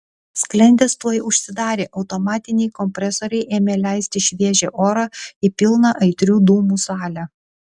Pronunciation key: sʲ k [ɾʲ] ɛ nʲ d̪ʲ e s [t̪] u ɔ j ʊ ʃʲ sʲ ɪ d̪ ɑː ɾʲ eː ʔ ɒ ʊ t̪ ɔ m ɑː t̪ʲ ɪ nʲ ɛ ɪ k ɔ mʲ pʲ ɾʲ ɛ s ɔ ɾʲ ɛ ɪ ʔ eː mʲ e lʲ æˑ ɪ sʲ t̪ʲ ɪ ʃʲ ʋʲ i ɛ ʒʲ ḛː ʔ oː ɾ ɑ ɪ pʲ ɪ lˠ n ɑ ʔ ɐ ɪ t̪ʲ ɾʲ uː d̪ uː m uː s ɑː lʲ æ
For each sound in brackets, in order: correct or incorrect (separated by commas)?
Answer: incorrect, correct